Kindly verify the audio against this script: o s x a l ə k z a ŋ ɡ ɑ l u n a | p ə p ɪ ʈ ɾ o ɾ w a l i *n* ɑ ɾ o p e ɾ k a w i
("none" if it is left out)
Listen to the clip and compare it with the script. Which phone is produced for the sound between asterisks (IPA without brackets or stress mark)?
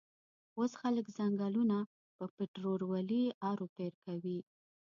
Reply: none